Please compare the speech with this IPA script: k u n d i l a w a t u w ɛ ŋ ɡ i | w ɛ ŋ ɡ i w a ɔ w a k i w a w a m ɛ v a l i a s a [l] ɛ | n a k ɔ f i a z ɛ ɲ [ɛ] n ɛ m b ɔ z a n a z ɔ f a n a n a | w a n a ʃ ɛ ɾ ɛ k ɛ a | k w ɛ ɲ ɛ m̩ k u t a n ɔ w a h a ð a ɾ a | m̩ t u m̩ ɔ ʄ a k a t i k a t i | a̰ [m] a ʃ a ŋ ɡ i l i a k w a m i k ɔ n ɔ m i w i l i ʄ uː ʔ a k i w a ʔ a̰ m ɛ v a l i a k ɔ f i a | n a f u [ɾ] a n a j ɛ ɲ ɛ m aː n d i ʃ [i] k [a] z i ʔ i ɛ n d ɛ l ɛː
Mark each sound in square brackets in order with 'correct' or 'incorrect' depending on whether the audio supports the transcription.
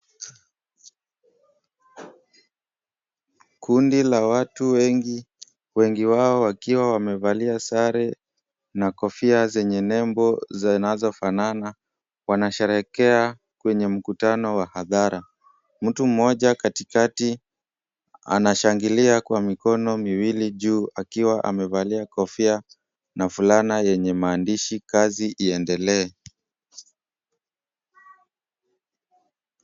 incorrect, correct, incorrect, incorrect, correct, correct

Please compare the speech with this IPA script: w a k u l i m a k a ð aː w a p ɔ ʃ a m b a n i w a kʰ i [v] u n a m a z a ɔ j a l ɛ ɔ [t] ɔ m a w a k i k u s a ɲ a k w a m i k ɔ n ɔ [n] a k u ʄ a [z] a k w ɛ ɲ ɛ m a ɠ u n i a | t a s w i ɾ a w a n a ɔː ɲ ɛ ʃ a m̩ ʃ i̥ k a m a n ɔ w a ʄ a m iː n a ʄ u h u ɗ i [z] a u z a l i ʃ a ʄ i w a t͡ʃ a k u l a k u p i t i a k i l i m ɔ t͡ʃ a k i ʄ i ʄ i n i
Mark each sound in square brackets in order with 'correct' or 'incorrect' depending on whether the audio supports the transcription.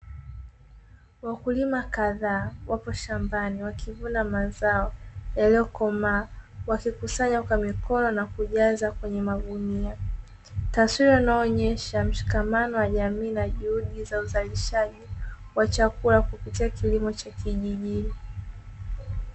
correct, incorrect, correct, correct, correct

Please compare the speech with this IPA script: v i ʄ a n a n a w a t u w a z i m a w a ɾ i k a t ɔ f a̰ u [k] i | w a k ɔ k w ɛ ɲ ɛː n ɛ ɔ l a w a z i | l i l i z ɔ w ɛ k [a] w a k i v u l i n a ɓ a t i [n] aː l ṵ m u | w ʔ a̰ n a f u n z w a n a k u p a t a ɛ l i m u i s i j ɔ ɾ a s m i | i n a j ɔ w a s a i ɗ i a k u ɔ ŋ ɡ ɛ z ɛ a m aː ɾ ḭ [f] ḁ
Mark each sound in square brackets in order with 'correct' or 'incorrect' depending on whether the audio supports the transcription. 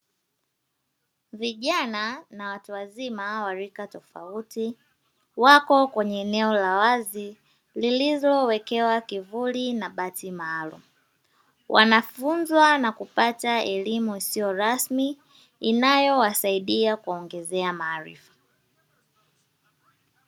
incorrect, incorrect, incorrect, correct

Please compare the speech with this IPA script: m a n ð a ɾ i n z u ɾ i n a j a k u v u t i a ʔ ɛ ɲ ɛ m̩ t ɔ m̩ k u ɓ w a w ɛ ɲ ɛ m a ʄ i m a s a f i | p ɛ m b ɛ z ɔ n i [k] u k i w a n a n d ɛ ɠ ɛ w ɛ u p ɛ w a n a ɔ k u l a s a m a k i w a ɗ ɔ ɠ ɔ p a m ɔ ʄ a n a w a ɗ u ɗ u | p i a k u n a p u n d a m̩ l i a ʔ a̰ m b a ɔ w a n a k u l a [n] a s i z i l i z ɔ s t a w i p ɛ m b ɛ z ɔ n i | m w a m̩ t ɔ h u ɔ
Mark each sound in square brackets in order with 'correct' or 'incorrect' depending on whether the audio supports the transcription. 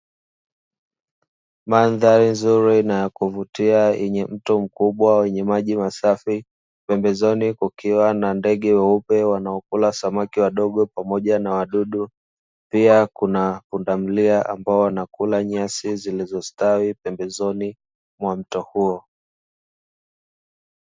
correct, incorrect

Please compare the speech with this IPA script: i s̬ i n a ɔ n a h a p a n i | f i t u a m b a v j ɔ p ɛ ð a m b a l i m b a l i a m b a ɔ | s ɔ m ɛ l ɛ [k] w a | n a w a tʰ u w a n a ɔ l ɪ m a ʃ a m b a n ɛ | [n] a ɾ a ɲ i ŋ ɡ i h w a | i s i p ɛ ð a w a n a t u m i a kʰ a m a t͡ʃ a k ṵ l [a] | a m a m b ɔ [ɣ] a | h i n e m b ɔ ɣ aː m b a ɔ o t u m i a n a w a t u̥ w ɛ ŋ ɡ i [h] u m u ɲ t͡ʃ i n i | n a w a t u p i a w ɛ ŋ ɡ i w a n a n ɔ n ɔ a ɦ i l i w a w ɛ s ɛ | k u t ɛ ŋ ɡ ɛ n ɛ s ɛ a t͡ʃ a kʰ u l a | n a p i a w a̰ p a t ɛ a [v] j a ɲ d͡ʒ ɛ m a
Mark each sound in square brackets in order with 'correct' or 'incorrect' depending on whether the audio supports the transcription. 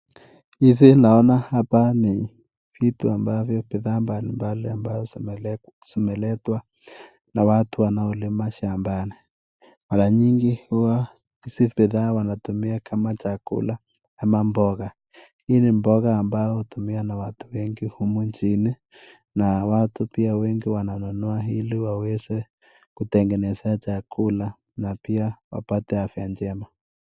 incorrect, incorrect, correct, correct, correct, incorrect

